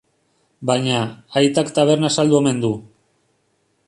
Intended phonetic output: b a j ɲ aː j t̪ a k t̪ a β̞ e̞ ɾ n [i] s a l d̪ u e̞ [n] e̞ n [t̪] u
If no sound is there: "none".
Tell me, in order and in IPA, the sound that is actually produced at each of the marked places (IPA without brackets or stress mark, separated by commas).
a, m, d̪